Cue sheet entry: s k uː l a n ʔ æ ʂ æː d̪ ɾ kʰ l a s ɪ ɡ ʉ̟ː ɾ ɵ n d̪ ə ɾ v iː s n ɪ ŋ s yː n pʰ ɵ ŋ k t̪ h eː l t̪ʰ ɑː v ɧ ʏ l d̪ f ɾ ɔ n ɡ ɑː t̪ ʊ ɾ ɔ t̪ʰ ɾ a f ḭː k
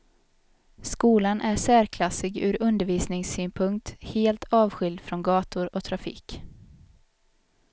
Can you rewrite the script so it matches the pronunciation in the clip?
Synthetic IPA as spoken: s k uː l a n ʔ æ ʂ æː ɾ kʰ l a s ɪ ɡ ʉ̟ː ɾ ɵ n d̪ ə ɾ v iː s n ɪ ŋ s yː n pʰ ɵ ŋ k t̪ h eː l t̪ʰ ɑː v ɧ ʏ l d̪ f ɾ ɔ n ɡ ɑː t̪ ʊ ɾ ɔ t̪ʰ ɾ a f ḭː k